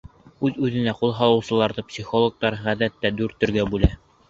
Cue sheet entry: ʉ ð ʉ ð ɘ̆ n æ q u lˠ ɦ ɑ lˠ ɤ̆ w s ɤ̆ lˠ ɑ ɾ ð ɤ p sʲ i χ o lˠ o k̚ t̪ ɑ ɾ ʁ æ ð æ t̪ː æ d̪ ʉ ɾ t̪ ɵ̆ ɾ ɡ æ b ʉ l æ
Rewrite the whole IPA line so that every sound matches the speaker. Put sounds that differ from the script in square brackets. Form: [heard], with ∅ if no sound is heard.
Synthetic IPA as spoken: ʉ ð ʉ ð ɘ̆ n æ q u lˠ ɦ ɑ lˠ ɤ̆ w s ɤ̆ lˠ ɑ ɾ ð ɤ p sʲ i χ o lˠ o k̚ t̪ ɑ ɾ ʁ æ ð æ t̪ː æ d̪ ʉ ɾ t̪ ɵ̆ ɾ ɡ æ b ʉ l æ